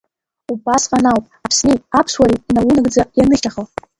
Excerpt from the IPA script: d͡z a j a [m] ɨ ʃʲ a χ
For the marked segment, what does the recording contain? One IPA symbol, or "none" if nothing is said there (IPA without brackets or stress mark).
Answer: n